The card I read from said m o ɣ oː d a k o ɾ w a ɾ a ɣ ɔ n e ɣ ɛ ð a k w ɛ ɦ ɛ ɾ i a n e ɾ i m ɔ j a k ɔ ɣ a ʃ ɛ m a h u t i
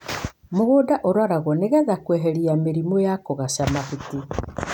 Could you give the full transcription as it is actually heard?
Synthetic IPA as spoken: m o ɣ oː d a ʔ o ɾ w a ɾ a ɣ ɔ n e ɣ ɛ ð a k w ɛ ɦ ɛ ɾ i a m e ɾ i m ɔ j a k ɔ ɣ a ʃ a m a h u t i